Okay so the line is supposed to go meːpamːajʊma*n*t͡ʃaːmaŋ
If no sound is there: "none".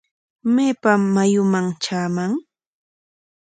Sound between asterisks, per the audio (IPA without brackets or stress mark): ŋ